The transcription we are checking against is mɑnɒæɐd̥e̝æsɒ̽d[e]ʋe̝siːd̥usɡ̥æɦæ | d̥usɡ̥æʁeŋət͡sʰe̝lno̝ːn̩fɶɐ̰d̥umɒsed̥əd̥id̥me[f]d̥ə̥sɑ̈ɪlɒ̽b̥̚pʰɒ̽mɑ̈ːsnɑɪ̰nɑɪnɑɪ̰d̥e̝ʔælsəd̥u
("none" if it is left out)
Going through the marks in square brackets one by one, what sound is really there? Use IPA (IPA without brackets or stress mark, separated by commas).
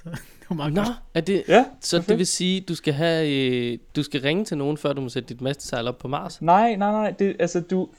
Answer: e, s